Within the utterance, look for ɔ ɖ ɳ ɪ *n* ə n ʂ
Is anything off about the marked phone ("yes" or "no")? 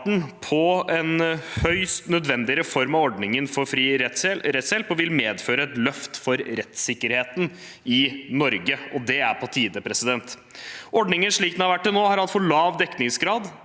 yes